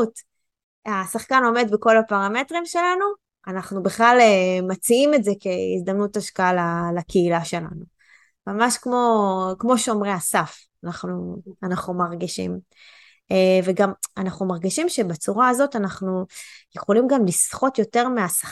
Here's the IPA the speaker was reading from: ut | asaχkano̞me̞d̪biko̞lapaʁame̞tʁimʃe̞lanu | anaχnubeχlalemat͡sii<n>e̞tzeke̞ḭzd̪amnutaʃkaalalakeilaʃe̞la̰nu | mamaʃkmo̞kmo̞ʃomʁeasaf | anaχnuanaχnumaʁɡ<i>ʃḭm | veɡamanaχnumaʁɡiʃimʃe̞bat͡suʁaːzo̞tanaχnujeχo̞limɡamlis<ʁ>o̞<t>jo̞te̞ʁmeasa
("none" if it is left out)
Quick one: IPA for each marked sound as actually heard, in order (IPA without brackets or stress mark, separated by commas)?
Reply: m, i, χ, t